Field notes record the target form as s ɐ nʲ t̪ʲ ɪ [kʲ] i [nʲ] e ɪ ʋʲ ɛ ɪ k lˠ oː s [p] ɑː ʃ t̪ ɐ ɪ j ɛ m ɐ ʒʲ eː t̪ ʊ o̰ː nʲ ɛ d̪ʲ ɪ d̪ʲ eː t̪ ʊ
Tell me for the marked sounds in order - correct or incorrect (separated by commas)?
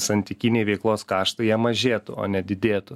correct, correct, incorrect